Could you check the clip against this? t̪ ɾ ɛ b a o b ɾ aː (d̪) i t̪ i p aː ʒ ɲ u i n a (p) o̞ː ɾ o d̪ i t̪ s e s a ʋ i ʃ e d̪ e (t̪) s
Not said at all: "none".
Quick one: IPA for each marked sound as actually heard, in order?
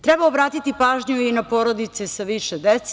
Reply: t̪, p, t̪

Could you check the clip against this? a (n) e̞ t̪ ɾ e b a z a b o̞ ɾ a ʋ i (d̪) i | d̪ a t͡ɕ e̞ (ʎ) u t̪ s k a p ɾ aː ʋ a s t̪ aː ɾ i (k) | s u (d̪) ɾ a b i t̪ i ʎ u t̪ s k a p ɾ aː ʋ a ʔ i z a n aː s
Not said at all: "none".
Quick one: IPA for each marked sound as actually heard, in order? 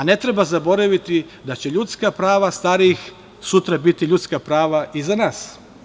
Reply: n, t̪, ʎ, x, t̪

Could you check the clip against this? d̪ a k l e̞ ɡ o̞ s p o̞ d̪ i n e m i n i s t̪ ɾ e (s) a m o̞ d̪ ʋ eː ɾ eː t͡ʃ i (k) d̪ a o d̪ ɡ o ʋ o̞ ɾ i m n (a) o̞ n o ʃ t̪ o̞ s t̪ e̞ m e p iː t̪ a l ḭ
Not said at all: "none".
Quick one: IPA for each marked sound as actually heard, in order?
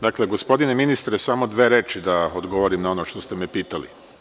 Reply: s, none, a

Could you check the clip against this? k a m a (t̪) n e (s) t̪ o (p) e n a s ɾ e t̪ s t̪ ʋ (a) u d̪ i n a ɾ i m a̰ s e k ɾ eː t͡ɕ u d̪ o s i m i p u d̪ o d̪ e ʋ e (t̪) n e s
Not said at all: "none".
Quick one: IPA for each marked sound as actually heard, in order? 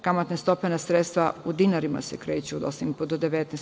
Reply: t̪, s, p, a, t̪

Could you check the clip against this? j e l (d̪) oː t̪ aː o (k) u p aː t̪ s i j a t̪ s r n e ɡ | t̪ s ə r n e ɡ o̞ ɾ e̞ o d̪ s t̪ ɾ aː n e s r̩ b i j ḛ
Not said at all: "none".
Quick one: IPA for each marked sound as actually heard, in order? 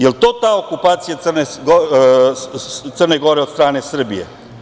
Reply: t̪, k

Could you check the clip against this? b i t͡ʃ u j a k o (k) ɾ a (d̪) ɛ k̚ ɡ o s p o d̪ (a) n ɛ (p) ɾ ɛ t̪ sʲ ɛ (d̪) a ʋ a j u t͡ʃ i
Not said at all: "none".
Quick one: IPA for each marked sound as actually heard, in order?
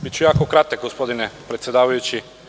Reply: k, t̪, i, p, d̪

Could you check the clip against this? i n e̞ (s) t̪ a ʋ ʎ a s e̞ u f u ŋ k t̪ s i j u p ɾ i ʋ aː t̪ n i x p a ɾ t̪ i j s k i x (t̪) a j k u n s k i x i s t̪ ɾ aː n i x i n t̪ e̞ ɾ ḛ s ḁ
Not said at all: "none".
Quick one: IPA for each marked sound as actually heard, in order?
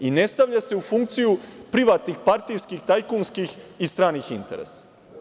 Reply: s, t̪

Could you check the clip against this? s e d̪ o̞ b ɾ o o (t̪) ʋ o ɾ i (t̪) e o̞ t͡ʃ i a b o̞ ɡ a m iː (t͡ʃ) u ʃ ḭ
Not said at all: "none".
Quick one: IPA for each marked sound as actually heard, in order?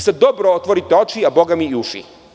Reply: t̪, t̪, none

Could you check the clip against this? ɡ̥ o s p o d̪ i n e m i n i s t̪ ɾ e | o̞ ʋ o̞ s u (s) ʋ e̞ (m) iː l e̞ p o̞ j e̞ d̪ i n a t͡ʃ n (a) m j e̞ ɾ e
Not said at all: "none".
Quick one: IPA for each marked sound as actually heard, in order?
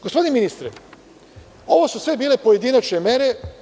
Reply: s, b, e

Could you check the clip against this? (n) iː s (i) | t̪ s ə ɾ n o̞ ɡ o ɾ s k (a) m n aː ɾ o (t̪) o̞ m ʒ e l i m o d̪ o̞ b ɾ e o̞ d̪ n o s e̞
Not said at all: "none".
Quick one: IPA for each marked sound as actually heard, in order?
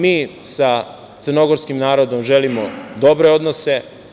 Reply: m, a, i, d̪

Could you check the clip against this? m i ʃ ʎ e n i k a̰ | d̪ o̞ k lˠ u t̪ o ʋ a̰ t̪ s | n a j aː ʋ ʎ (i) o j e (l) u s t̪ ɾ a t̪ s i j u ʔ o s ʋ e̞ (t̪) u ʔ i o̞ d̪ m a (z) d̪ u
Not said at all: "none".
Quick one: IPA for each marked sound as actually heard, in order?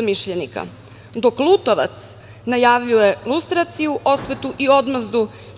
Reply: i, l, t̪, z

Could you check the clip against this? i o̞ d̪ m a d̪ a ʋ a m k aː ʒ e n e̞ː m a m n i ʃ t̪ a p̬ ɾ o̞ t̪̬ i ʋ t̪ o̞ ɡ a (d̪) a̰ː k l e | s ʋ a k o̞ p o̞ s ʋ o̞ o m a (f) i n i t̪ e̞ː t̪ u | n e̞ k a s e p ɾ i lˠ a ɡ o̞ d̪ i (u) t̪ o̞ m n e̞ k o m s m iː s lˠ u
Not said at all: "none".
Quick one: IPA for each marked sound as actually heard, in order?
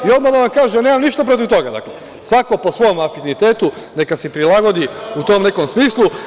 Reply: d̪, f, u

